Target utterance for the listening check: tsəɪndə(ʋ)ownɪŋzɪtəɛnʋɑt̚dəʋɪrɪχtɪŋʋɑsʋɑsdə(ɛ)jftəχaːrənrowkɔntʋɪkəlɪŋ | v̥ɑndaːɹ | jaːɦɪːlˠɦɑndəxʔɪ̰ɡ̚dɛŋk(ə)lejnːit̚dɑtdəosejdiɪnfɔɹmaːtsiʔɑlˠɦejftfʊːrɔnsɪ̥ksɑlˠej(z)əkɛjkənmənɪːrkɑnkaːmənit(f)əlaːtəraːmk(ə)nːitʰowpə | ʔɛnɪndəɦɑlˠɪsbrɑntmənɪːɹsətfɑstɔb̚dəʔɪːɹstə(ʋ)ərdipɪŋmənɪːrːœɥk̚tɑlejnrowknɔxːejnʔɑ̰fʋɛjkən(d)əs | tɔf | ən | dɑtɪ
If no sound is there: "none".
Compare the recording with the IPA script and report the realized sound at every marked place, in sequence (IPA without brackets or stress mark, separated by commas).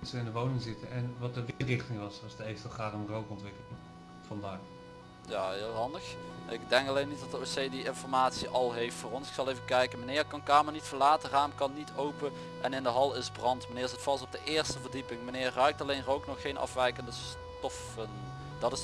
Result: ʋ, e, ɑ, v, f, ɑ, v, d